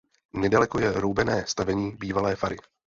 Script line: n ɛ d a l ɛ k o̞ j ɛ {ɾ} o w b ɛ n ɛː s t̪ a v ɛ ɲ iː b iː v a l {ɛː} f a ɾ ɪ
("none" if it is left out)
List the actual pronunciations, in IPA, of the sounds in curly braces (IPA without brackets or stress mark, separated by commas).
ɾ, ɛː